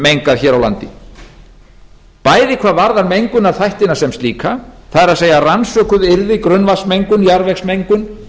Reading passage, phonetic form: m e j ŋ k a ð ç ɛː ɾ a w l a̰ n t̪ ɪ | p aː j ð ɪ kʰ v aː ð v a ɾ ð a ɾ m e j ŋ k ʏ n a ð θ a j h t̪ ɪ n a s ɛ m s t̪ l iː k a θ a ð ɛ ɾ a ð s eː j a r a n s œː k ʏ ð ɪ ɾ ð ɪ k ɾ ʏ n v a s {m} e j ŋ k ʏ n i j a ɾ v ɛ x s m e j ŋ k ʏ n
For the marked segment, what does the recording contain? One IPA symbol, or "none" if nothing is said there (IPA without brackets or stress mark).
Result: m